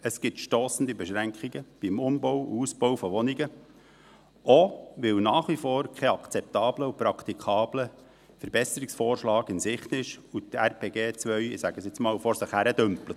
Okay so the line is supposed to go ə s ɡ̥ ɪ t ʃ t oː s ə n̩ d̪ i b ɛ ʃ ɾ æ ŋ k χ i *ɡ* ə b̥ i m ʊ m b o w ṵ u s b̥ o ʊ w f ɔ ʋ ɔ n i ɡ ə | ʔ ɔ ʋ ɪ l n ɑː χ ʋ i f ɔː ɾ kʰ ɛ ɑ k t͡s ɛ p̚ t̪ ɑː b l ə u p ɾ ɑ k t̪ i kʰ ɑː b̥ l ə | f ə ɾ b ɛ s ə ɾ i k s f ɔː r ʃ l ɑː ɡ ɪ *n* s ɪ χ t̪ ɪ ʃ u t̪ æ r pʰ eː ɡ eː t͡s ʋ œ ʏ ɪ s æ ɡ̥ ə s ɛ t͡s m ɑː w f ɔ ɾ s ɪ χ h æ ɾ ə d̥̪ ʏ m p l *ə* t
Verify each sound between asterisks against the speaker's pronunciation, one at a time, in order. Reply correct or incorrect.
correct, correct, correct

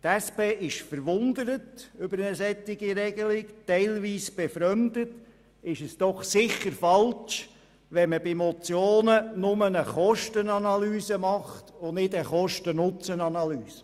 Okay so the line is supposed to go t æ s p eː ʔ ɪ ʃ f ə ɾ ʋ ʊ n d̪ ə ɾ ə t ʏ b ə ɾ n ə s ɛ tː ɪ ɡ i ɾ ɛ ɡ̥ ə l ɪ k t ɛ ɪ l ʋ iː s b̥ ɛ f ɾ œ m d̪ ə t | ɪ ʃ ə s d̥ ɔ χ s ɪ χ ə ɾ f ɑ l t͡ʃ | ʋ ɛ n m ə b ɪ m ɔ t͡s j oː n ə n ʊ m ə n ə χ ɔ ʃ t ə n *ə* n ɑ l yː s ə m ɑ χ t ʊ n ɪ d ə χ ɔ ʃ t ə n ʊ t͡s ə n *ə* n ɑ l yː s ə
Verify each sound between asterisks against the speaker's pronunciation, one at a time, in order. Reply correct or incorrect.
incorrect, incorrect

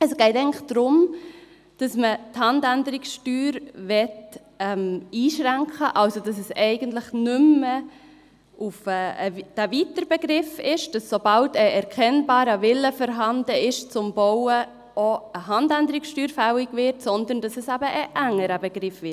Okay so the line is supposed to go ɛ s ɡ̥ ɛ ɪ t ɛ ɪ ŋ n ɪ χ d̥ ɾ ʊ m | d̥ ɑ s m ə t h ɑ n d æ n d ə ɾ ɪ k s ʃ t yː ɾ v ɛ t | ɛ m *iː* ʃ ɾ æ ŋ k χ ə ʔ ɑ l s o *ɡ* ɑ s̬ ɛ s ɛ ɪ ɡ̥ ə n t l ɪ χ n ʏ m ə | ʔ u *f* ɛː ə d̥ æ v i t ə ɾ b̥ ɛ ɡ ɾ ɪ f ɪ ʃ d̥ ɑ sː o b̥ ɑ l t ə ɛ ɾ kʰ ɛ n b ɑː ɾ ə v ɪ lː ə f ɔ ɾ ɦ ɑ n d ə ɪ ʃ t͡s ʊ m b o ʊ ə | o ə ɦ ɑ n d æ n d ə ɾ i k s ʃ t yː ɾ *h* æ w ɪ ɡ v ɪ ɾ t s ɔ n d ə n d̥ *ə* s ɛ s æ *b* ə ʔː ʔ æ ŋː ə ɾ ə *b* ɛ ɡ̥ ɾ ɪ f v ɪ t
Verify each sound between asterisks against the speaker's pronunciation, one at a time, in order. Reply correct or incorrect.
correct, incorrect, correct, incorrect, incorrect, correct, correct

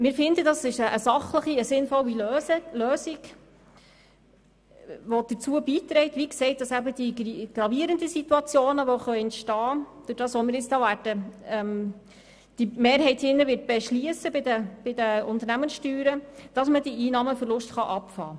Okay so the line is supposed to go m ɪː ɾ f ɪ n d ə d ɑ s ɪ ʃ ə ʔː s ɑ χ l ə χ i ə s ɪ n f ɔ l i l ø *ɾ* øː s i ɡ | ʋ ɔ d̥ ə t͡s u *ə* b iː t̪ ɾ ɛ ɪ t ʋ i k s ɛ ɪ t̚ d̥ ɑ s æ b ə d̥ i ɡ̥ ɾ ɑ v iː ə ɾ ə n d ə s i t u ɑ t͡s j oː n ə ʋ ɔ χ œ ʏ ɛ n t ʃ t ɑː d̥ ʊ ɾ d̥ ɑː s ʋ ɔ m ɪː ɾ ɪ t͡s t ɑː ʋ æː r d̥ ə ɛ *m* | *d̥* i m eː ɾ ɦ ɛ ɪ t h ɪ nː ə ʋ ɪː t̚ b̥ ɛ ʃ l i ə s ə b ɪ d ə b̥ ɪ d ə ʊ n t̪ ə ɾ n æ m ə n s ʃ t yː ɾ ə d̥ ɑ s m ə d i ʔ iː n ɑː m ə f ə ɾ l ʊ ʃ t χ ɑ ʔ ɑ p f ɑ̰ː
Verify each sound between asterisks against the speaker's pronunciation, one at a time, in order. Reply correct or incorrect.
incorrect, correct, correct, correct

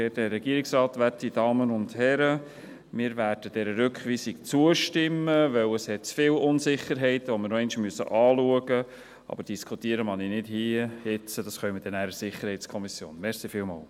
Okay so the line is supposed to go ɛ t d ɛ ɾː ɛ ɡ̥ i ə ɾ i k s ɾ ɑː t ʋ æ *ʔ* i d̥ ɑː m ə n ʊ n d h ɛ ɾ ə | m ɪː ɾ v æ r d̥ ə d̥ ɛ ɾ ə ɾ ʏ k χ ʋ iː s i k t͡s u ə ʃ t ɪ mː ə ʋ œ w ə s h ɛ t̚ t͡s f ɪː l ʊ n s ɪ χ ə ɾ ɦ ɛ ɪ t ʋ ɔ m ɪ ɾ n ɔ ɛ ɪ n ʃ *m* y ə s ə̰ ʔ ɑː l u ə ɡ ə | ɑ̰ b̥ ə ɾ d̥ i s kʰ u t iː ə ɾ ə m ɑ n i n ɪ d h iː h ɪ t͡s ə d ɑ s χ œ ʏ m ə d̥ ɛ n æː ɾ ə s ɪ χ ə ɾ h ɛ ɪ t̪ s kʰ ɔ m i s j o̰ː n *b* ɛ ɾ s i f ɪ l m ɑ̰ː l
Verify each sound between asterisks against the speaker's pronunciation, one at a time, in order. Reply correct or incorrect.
incorrect, correct, incorrect

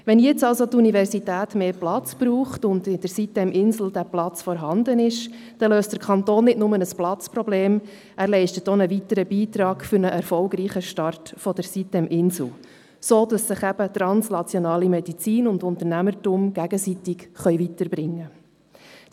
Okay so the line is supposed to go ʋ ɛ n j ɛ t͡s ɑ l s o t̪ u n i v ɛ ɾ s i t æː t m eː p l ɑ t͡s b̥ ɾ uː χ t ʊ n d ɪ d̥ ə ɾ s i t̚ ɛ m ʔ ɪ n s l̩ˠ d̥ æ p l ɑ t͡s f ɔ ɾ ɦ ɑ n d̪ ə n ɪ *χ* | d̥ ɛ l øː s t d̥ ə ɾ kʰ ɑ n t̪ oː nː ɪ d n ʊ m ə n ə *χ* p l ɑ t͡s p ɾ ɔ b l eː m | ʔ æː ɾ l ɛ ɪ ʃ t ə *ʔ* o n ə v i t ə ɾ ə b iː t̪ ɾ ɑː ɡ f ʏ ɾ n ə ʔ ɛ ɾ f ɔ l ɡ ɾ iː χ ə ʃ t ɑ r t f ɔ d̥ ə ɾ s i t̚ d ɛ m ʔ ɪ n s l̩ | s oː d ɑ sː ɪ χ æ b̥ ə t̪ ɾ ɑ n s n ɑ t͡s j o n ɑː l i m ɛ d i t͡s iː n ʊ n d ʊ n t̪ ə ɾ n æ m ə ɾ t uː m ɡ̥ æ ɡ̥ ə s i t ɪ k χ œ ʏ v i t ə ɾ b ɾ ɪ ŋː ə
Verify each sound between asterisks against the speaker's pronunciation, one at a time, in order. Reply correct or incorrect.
incorrect, incorrect, incorrect

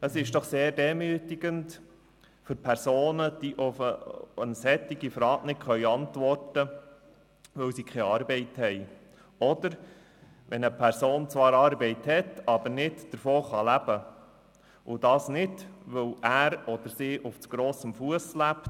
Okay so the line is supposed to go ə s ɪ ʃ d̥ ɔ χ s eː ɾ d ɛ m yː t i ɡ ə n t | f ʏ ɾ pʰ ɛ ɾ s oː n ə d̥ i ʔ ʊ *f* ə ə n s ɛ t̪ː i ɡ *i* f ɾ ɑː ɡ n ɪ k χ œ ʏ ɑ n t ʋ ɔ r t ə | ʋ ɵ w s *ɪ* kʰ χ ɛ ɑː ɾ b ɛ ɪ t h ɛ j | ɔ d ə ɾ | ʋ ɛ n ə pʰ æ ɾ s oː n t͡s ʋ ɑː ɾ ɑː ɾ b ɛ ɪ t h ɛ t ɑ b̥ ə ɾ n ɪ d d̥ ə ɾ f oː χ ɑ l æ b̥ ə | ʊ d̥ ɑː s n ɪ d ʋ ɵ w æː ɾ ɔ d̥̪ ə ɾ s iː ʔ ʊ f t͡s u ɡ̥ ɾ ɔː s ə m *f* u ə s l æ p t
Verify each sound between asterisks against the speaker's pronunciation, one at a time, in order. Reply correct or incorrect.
correct, correct, incorrect, correct

